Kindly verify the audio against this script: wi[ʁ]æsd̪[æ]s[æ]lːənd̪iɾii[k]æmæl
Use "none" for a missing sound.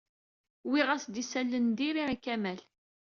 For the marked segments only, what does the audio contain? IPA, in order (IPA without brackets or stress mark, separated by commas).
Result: ʁ, i, æ, k